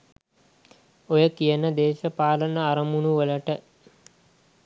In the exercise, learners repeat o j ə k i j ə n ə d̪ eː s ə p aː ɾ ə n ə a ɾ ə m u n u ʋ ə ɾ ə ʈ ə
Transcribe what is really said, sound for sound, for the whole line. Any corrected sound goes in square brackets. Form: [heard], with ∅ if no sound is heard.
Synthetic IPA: o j ə k i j ə n ə d̪ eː [ʃ] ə p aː [l] ə n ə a ɾ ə m u n u ʋ ə [l] ə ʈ ə